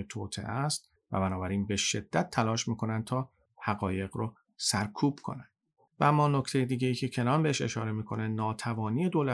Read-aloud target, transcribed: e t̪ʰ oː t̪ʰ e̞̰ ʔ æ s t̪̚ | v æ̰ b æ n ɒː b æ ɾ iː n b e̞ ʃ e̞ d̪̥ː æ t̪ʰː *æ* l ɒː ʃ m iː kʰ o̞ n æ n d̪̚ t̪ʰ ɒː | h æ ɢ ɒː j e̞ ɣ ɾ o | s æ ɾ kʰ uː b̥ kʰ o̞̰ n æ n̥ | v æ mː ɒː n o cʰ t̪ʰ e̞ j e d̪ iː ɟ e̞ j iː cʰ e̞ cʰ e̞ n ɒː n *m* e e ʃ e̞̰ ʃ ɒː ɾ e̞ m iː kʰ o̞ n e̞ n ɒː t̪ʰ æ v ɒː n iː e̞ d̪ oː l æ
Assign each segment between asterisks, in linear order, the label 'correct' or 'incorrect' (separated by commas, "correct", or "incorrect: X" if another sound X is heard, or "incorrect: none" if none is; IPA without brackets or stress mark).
correct, incorrect: b